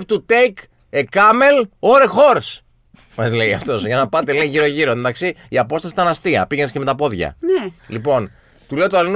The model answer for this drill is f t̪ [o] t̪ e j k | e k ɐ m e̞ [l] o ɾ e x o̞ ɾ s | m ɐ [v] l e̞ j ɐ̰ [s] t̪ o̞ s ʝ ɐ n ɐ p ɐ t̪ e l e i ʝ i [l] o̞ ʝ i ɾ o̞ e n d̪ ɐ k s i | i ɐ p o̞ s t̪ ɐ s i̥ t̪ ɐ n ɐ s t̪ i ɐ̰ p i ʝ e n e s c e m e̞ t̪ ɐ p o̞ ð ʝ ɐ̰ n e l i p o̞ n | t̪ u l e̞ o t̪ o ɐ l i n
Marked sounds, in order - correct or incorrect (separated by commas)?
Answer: incorrect, correct, incorrect, incorrect, incorrect